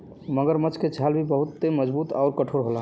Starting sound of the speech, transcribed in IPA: m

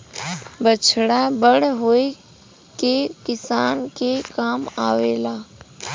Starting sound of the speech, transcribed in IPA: b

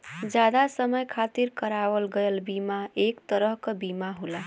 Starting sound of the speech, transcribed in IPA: d͡ʒ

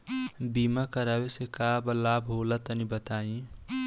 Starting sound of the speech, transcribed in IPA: b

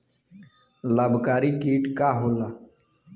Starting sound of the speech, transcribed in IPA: l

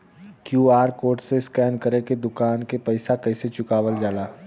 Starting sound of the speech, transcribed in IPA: k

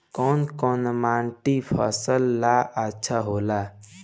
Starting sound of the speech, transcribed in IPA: k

